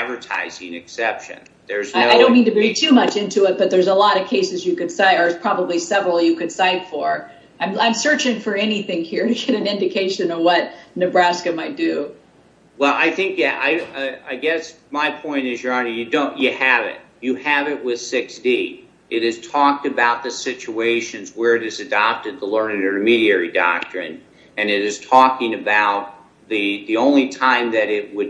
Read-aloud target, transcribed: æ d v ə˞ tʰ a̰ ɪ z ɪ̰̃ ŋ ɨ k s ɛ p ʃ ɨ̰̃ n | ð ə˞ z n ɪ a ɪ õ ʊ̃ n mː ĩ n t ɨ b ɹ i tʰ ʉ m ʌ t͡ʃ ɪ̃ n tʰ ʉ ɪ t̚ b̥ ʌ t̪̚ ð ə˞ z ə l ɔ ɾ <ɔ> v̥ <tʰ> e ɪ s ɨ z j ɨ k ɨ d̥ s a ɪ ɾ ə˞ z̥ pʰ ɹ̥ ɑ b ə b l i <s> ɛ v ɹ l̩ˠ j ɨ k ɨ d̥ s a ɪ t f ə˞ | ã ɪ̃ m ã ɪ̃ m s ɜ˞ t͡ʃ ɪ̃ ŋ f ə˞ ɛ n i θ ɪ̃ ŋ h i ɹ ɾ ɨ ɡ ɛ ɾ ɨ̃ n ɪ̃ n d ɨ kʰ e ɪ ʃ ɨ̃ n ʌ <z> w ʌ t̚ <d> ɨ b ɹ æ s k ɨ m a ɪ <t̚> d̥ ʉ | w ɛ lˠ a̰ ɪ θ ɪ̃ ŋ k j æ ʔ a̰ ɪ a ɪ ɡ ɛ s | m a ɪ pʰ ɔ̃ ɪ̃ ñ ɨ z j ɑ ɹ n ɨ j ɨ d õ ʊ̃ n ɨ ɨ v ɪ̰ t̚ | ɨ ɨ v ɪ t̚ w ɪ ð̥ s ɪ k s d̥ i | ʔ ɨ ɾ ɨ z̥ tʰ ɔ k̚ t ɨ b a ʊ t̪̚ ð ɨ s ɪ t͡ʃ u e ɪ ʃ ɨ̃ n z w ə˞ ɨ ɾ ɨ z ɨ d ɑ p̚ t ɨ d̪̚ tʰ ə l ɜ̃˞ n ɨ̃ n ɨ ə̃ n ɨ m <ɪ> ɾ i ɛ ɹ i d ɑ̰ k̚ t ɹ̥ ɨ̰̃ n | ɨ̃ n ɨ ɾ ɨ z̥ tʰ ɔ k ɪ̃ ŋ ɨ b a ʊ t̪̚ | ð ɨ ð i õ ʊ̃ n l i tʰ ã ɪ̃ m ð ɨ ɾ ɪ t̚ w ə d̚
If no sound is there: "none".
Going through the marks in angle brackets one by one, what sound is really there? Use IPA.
ʌ, kʰ, s, v, n, t̚, i

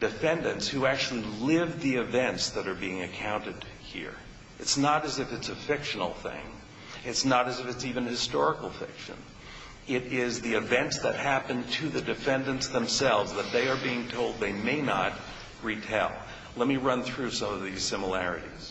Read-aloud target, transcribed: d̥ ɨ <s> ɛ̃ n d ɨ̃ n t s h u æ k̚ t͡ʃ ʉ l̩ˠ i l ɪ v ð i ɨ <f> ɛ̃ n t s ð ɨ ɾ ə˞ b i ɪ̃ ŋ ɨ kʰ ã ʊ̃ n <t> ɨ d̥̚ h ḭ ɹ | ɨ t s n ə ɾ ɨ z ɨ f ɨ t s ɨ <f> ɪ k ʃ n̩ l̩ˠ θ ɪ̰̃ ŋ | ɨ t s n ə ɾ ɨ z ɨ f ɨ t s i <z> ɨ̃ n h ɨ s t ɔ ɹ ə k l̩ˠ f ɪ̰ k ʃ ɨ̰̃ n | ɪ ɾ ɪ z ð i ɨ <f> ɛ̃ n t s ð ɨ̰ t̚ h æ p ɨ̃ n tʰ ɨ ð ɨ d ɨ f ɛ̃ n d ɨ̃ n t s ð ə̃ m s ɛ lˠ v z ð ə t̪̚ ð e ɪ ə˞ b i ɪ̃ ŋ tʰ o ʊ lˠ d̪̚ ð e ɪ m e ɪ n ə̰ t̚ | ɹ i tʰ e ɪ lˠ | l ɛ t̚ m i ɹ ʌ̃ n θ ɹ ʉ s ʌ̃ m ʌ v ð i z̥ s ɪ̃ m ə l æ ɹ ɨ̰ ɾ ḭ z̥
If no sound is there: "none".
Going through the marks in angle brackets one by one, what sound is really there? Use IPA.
f, v, t, f, v, v

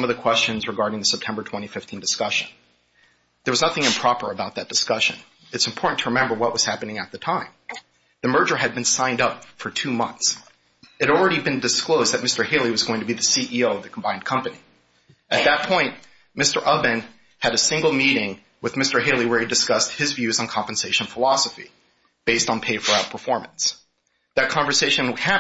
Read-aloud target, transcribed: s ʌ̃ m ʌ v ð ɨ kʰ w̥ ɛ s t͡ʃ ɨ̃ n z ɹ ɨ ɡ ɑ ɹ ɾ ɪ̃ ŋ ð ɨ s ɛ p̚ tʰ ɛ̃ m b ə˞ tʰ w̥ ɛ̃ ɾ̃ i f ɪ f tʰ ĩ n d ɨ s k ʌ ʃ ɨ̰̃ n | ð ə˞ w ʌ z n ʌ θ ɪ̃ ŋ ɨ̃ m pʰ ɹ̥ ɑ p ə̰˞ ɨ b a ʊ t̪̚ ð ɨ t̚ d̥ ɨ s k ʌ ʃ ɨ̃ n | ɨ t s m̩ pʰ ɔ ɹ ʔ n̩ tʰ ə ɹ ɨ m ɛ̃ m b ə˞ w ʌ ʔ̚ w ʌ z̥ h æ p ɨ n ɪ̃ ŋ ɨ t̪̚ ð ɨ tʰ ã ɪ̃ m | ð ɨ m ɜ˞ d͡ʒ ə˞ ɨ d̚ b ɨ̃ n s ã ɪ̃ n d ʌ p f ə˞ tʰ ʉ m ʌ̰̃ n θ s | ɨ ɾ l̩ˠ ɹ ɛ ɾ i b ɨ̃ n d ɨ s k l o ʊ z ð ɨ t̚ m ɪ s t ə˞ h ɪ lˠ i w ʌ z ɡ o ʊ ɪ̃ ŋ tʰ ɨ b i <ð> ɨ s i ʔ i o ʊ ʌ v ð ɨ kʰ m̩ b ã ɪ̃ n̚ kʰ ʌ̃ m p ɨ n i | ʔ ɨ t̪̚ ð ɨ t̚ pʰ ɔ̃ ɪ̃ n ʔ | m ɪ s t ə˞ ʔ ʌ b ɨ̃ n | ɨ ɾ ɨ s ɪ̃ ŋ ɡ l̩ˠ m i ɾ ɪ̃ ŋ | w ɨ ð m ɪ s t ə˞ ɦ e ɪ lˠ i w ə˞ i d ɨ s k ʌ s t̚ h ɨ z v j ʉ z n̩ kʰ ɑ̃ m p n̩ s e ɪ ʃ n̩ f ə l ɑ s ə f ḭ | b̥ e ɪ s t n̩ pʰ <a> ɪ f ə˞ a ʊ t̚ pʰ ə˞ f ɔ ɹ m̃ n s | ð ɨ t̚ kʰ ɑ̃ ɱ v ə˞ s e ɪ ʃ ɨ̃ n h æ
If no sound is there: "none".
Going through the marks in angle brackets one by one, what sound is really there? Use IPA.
ð, e

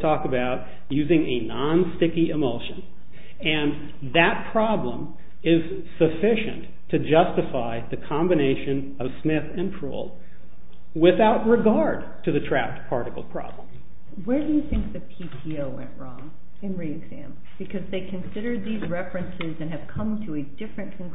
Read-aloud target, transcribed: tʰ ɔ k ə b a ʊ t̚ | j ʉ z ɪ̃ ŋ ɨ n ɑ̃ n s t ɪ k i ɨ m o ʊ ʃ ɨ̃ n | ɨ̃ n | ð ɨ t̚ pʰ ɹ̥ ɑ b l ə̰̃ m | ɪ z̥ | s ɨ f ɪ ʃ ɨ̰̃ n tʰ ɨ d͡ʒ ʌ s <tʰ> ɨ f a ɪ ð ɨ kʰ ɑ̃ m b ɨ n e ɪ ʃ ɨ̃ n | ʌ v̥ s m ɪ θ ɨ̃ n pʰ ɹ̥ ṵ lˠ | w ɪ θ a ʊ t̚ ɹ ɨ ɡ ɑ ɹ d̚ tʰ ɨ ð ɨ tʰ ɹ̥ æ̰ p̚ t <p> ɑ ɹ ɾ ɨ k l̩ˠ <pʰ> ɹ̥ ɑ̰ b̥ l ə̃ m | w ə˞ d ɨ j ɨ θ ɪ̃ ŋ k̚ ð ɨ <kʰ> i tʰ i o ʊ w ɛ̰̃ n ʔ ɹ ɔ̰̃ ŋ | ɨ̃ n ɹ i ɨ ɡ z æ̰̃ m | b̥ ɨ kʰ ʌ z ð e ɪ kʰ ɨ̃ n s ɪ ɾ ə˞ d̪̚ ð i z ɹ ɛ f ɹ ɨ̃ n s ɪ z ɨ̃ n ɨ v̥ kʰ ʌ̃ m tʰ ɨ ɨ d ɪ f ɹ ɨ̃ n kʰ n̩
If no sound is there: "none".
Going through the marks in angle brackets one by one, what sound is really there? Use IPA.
t, pʰ, pʰ, pʰ

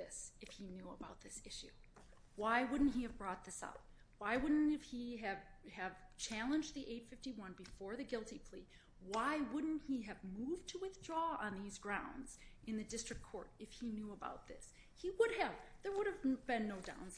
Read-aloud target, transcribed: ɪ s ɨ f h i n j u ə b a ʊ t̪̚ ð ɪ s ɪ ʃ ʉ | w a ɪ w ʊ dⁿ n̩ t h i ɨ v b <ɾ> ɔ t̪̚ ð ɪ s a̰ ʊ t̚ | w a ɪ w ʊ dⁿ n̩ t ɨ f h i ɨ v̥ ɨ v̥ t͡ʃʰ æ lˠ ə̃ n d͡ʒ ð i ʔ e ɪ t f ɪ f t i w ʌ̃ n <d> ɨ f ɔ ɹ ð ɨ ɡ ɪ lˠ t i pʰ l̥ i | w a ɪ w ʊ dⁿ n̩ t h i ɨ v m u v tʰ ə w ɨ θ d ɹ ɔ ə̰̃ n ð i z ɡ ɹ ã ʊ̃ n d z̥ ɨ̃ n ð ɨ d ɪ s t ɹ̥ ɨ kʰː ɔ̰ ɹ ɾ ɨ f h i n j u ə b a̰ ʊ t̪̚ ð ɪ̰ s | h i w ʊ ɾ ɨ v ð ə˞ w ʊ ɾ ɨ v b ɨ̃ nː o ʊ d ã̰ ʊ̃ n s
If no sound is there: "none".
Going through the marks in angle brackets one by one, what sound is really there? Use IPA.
ɹ, b

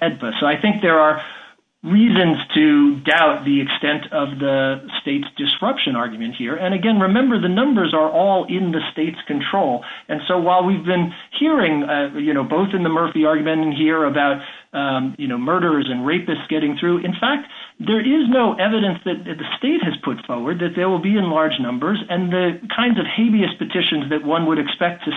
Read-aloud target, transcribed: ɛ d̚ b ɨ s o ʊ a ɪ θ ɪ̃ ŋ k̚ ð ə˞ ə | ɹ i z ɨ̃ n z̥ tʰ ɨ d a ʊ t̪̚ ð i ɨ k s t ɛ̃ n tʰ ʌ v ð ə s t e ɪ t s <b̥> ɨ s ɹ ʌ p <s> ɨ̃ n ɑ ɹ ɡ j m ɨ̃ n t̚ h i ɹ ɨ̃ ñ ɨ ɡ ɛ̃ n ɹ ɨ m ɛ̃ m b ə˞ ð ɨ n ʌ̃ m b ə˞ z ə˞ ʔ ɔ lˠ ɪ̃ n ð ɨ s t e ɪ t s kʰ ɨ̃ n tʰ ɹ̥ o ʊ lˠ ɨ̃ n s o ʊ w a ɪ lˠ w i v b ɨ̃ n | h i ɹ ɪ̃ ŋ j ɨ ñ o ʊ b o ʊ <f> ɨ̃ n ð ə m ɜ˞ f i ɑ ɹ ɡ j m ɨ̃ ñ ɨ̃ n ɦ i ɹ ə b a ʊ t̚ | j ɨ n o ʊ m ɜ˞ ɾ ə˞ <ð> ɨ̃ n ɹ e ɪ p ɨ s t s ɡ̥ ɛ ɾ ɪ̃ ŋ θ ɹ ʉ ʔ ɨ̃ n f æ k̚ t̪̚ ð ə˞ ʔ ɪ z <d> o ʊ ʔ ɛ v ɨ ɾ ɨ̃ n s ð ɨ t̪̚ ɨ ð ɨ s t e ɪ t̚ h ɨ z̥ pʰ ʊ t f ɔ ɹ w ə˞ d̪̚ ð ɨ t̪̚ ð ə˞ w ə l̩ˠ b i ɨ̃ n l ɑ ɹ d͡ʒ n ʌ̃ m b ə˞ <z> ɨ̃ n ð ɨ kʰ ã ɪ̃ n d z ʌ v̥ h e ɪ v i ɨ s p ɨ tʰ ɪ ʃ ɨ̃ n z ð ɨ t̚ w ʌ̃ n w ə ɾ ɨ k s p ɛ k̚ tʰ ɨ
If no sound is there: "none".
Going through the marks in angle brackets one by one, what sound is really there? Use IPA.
d̥, ʃ, θ, z, n, z

